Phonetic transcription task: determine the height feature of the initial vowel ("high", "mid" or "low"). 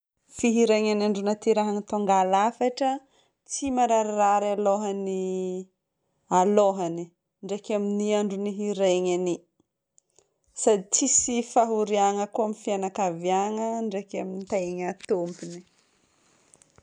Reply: high